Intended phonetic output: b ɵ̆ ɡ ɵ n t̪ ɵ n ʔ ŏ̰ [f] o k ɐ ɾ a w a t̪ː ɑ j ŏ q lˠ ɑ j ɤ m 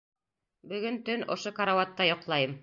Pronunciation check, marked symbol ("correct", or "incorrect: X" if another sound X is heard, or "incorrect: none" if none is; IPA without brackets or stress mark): incorrect: ʃ